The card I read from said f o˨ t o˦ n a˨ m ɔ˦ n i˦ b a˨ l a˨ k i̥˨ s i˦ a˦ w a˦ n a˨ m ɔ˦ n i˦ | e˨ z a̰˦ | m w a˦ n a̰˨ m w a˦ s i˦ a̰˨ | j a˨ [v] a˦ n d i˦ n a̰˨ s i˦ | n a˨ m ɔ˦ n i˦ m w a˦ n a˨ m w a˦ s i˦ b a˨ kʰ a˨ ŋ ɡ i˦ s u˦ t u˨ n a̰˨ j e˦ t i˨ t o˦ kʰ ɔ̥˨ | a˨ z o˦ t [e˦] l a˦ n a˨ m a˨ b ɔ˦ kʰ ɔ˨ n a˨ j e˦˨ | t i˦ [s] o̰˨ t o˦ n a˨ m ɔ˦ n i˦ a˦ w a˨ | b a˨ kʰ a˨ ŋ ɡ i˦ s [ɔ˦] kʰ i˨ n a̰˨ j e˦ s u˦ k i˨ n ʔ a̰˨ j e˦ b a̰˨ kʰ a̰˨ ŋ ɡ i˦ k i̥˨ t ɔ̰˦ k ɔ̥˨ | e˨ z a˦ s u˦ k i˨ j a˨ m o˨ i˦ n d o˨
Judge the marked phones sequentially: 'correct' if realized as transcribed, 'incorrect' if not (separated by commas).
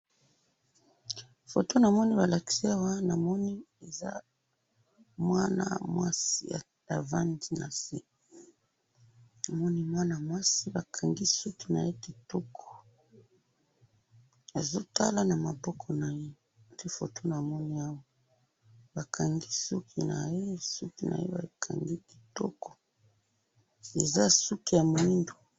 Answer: correct, incorrect, incorrect, incorrect